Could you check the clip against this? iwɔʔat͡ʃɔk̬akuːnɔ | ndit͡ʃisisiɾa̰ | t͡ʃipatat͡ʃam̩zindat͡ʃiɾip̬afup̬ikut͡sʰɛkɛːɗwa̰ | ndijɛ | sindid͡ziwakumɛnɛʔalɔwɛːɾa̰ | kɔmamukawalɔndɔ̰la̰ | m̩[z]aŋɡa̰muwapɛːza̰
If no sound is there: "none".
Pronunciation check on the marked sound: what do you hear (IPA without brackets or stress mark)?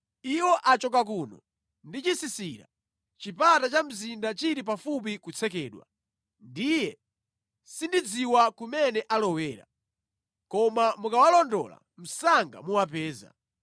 s